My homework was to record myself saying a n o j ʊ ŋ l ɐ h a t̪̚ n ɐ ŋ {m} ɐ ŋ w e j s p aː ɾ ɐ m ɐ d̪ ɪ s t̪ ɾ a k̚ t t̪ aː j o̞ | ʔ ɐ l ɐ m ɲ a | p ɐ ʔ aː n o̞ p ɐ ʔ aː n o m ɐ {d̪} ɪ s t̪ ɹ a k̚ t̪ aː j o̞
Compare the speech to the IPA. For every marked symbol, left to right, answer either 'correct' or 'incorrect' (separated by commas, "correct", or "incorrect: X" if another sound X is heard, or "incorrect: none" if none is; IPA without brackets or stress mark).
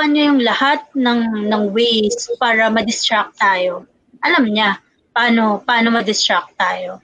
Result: incorrect: n, correct